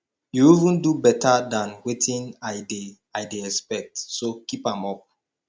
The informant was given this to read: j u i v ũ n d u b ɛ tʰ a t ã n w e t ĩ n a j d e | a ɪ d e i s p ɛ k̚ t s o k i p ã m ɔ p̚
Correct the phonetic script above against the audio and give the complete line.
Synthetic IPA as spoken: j u i v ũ n d u b ɛ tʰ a d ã n w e t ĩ n a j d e | a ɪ d e ɛ s p ɛ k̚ t s o k i p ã m ɔ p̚